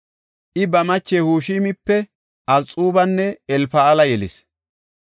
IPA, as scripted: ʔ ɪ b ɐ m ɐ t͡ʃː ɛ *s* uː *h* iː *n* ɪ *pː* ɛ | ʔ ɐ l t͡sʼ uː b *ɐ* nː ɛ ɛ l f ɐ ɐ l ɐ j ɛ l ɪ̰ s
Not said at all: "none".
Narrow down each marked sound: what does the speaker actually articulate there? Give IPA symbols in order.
h, ʃ, m, pː, ɐ

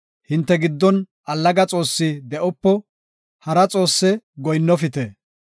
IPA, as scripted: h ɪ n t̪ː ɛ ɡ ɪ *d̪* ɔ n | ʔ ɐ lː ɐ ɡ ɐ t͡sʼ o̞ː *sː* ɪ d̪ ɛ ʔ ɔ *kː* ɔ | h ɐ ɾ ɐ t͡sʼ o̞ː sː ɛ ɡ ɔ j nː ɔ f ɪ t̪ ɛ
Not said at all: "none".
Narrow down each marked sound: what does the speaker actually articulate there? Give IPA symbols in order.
d̪ː, sː, pː

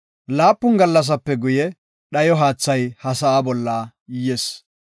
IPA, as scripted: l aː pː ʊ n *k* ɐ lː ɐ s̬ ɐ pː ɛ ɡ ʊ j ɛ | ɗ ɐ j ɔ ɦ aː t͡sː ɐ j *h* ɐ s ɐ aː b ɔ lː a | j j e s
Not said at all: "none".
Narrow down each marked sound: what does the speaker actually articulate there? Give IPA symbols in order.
ɡ, h

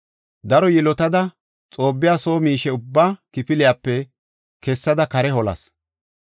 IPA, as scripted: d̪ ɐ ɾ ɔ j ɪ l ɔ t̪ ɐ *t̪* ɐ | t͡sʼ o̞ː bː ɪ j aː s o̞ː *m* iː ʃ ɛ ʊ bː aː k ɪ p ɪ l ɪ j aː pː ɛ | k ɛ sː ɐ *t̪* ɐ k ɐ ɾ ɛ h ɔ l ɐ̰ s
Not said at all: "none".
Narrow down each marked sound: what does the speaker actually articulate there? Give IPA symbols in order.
d̪, m, d̪

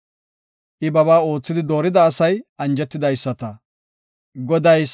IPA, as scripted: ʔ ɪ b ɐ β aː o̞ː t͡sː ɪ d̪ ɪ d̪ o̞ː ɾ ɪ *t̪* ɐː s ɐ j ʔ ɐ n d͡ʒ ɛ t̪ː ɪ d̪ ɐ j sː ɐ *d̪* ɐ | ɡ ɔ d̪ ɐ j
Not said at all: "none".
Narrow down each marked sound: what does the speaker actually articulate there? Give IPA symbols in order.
d̪, t̪

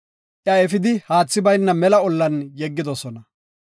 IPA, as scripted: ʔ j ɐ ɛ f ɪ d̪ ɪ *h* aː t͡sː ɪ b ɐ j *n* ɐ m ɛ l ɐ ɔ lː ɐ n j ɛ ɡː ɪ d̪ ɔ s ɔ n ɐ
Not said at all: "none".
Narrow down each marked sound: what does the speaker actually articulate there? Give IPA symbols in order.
h, nː

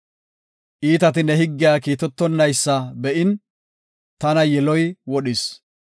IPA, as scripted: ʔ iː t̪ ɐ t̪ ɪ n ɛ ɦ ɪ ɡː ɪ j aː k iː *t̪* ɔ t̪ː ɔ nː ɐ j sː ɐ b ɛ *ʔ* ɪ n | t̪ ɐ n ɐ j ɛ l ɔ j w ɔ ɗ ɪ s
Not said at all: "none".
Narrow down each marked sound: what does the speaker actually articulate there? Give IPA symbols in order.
t̪, ʔ

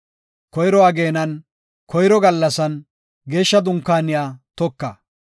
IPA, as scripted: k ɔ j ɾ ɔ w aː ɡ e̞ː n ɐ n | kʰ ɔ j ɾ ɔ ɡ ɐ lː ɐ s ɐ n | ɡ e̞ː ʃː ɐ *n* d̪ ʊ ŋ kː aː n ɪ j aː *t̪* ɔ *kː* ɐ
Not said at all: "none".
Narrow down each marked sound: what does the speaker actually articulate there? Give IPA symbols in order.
none, t̪, kː

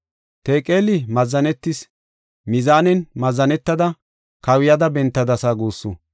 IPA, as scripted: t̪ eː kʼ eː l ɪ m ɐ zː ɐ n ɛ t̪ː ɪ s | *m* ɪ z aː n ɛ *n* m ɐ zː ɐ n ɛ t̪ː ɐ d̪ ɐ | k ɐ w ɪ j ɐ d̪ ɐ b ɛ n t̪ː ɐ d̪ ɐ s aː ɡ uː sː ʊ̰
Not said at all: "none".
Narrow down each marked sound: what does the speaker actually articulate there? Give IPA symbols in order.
m, n

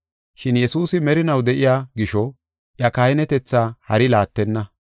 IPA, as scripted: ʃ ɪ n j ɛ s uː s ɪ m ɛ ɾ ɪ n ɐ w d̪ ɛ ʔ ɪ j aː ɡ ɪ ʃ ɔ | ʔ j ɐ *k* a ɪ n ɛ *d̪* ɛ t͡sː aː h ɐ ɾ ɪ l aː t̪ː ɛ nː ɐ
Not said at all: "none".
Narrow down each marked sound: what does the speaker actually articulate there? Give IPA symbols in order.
k, t̪

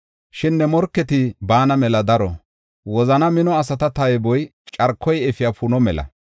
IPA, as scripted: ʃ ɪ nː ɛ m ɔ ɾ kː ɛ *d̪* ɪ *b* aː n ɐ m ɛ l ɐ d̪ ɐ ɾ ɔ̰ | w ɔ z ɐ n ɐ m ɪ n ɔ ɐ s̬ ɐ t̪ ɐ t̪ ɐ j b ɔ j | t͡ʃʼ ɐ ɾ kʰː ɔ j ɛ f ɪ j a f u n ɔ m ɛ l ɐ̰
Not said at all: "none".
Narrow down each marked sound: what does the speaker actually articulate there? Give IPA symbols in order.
t̪, b

